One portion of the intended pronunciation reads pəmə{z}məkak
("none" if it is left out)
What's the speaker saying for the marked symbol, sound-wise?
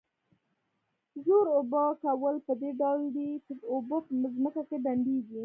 z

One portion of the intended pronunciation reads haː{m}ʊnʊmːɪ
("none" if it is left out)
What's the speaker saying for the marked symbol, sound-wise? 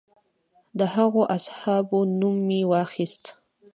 b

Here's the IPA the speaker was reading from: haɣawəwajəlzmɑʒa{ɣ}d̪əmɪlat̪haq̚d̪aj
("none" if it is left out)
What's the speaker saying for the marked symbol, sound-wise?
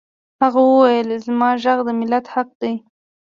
ɣ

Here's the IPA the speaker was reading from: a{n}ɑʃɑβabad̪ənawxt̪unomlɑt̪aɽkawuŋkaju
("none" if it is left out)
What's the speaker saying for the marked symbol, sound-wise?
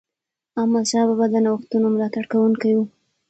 m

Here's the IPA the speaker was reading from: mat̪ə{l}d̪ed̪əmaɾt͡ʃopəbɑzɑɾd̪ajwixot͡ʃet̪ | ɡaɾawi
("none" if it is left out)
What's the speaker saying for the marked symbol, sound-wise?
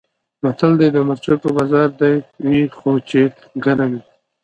l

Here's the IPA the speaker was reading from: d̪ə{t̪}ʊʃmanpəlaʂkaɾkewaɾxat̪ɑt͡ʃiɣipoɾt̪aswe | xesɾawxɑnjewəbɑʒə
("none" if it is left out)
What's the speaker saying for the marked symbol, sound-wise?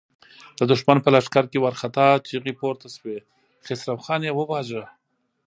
d̪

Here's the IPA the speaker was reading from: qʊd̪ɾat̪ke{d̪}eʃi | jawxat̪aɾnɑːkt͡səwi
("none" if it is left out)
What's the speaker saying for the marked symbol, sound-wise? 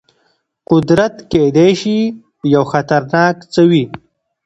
d̪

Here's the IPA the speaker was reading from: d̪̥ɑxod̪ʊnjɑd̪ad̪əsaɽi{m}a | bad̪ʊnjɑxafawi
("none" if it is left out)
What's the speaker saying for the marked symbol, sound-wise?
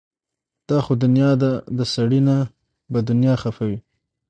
n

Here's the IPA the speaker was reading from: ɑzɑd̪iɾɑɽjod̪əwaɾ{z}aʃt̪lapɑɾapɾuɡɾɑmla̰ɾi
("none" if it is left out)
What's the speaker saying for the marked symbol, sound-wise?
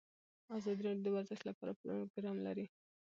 z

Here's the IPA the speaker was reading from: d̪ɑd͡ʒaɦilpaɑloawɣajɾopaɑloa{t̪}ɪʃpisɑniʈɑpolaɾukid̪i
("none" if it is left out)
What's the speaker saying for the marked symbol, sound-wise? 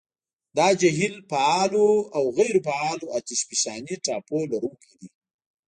t̪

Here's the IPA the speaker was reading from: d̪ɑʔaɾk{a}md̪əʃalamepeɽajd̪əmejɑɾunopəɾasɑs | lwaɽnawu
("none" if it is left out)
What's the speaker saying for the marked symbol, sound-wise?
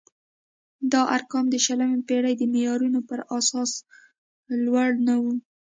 ɑ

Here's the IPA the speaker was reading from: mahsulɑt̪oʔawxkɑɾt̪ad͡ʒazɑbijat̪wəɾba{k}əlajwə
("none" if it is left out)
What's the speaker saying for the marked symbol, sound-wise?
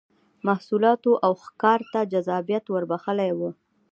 x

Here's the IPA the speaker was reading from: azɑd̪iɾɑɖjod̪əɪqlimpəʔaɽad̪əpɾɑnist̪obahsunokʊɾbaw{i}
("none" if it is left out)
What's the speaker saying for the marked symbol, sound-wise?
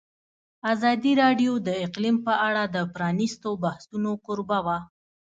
a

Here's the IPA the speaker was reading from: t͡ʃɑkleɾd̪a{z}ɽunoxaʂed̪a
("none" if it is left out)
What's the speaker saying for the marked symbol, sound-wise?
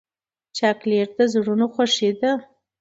z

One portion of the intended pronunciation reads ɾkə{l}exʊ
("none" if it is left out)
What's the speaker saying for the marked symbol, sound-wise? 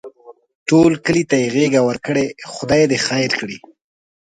ɽ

